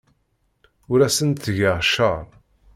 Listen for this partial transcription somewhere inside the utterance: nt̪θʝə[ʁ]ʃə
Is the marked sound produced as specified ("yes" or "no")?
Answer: yes